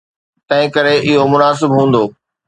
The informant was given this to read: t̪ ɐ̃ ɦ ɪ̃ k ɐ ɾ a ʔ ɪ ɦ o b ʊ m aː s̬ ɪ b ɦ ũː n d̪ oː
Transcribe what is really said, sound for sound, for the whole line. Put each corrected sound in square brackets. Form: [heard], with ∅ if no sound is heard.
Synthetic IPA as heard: t̪ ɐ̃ ɦ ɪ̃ k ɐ ɾ [e] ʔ ɪ ɦ o [m] ʊ [n] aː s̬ ɪ b ɦ ũː n d̪ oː